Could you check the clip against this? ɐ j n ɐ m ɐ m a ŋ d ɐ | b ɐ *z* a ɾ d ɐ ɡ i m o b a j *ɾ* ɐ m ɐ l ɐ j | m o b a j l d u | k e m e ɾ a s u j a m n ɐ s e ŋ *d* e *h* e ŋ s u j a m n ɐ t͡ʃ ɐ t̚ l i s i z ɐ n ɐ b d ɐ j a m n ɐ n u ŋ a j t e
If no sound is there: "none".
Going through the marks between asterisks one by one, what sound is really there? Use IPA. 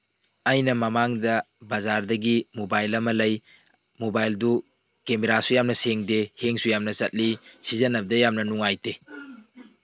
z, l, d, h

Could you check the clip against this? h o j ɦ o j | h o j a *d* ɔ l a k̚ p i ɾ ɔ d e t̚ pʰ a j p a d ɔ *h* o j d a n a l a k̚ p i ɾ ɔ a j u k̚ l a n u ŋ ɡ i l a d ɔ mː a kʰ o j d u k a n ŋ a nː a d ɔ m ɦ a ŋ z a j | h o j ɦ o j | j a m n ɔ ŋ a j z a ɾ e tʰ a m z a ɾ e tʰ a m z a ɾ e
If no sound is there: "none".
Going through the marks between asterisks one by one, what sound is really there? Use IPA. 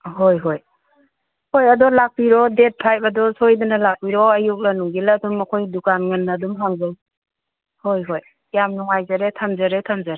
d, s

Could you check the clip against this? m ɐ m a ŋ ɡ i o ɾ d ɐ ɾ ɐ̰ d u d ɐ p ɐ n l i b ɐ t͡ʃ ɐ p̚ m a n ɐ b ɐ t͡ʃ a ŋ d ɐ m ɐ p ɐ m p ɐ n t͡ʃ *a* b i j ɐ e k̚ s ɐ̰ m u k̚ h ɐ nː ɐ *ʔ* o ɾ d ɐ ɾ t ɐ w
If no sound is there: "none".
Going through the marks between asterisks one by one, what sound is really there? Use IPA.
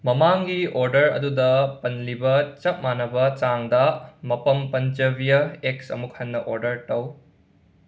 ɐ, ʔ

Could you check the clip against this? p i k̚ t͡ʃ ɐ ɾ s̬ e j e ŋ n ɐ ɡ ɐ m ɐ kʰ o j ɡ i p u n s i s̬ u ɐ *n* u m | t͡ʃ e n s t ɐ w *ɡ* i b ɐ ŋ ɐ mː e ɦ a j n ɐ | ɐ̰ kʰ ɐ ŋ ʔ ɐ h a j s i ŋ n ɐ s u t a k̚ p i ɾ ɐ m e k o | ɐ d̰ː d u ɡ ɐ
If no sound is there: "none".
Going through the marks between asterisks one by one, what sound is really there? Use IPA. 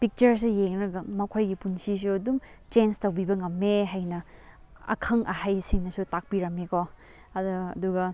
d, b

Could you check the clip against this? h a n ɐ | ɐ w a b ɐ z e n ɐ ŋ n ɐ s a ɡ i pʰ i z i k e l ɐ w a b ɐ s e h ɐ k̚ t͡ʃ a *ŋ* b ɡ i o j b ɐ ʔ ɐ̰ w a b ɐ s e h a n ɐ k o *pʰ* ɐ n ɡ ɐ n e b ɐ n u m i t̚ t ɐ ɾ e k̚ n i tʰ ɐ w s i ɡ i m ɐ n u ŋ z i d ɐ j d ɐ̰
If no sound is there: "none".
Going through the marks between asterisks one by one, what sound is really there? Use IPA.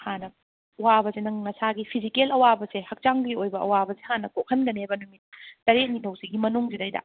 ŋ, kʰ

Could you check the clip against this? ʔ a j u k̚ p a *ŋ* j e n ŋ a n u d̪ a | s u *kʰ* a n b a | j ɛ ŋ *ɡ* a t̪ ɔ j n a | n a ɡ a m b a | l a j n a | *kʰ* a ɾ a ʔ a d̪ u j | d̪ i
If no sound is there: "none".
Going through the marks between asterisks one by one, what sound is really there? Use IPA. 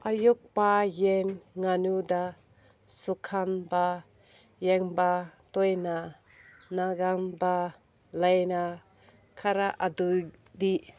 none, kʰ, b, kʰ

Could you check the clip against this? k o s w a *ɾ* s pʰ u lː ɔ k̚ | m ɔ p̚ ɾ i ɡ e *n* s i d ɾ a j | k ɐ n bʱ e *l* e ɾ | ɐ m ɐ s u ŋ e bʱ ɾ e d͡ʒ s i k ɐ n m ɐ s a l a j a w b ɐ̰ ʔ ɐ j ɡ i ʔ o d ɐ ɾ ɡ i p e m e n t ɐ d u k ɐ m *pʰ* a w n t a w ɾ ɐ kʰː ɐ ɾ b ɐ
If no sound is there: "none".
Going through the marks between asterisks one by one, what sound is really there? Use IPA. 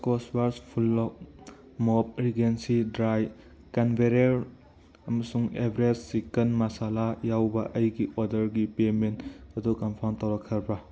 ɾ, n, ɾ, pʰ

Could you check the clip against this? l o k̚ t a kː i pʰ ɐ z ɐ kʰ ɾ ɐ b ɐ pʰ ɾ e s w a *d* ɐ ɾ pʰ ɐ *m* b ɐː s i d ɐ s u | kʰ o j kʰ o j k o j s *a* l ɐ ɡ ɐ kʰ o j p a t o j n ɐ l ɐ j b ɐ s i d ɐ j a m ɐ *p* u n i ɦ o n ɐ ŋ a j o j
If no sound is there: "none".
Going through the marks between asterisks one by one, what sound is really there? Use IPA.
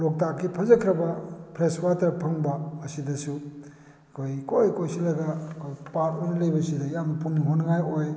t, ŋ, i, p

